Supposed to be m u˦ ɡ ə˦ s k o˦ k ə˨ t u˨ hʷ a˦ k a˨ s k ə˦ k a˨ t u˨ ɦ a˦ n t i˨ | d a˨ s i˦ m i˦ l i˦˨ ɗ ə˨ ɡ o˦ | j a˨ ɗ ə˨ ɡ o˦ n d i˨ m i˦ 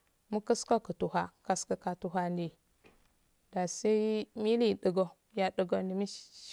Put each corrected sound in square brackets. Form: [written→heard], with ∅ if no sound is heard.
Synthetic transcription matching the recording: m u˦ [ɡ→k] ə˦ s k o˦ k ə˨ t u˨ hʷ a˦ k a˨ s k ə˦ k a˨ t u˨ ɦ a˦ n [t→d] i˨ | d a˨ s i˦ m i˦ l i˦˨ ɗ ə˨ ɡ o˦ | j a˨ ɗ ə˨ ɡ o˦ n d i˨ m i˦